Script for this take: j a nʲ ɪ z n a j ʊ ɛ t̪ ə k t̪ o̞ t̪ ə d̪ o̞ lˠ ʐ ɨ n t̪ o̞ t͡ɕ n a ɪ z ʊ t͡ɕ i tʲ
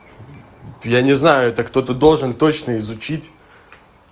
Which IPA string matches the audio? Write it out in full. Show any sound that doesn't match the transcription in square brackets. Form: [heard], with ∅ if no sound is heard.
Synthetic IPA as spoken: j a nʲ ɪ z n a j ʊ ɛ t̪ ə k t̪ o̞ t̪ ə d̪ o̞ lˠ ʐ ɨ n t̪ o̞ t͡ɕ n [ə] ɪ z ʊ t͡ɕ i tʲ